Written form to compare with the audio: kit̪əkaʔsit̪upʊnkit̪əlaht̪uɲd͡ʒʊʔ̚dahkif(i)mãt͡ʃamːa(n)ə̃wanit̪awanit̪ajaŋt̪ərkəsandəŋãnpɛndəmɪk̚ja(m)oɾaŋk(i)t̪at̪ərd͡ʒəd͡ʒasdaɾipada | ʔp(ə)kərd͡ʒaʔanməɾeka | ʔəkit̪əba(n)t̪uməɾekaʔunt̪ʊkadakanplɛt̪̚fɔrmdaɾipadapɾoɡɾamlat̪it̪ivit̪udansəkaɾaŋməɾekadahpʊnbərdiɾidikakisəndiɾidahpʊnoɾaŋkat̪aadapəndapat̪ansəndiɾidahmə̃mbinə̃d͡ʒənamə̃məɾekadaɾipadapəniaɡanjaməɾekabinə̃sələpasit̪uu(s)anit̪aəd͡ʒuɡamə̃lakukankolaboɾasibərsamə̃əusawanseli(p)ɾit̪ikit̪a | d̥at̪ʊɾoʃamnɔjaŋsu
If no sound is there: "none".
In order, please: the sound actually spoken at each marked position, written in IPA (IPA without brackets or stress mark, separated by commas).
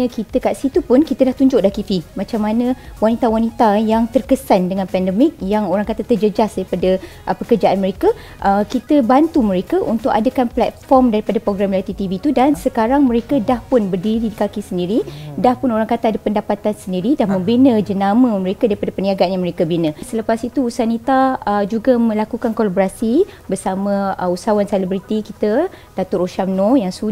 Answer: i, n, ŋ, a, ə, n, s, b